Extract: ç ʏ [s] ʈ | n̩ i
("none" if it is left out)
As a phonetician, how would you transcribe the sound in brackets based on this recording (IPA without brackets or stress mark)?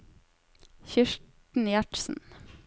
ʃ